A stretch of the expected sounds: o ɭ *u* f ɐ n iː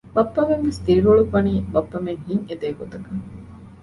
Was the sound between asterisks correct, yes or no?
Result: yes